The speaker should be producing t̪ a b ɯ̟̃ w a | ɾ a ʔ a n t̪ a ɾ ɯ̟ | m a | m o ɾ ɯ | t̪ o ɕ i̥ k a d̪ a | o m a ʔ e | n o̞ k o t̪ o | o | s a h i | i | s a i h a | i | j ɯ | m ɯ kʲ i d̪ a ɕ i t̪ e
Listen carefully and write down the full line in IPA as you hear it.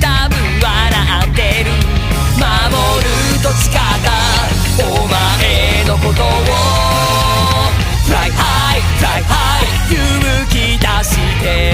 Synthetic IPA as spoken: t̪ a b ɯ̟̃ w a | ɾ a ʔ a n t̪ e ɾ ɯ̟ | m a | m o ɾ ɯ | t̪ o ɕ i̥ k a t̪ a | o m a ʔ e | n o̞ k o t̪ o | o | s a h a | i | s a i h a | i | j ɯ | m ɯ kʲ i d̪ a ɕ i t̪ e

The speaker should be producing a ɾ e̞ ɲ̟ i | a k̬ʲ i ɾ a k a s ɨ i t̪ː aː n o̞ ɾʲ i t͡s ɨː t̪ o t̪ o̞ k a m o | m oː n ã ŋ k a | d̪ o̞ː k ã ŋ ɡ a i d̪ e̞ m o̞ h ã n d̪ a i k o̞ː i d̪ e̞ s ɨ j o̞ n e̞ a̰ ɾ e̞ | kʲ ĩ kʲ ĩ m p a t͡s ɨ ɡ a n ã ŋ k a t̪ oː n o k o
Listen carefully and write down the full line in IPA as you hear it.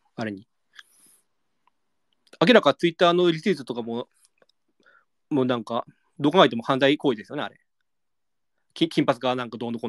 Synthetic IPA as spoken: a ɾ e̞ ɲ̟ i | a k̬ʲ i ɾ a k a t͡s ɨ i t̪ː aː n o̞ ɾʲ i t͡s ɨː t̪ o t̪ o̞ k a m o | m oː n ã ŋ k a | d̪ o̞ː k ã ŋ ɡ a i t̪ e̞ m o̞ h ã n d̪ a i k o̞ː i d̪ e̞ s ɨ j o̞ n e̞ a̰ ɾ e̞ | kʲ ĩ kʲ ĩ m p a t͡s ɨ ɡ a n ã ŋ k a d̪ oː n o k o

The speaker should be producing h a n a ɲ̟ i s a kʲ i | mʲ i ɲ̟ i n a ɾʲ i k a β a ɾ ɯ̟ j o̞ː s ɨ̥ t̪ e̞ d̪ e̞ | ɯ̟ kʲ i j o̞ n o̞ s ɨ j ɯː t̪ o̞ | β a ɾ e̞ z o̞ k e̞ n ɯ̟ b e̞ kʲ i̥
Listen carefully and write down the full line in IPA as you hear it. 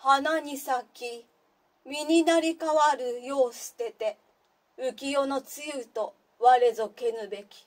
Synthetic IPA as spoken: h a n a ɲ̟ i s a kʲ i | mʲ i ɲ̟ i n a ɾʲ i k a β a ɾ ɯ̟ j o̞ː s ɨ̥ t̪ e̞ t̪ e̞ | ɯ̟ kʲ i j o̞ n o̞ t͡s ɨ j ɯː t̪ o̞ | β a ɾ e̞ z o̞ k e̞ n ɯ̟ b e̞ kʲ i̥

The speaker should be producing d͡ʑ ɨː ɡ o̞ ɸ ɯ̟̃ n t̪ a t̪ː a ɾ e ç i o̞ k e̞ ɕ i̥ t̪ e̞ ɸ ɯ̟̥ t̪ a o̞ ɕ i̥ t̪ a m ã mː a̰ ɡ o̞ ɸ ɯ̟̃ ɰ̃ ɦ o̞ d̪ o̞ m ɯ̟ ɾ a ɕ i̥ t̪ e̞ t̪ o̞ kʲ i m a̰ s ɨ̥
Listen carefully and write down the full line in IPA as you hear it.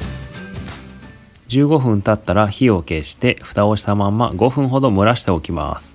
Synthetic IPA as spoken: d͡ʑ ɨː ɡ o̞ ɸ ɯ̟̃ n t̪ a t̪ː a ɾ a ç i o̞ k e̞ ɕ i̥ t̪ e̞ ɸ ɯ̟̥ t̪ a o̞ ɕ i̥ t̪ a m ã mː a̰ ɡ o̞ ɸ ɯ̟̃ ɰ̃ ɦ o̞ d̪ o̞ m ɯ̟ ɾ a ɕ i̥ t̪ e̞ o̞ kʲ i m a̰ s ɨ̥

